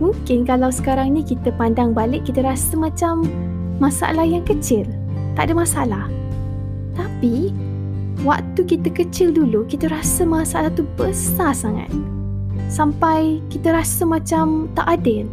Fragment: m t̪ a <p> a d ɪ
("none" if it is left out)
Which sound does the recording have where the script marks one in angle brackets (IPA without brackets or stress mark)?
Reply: ʔ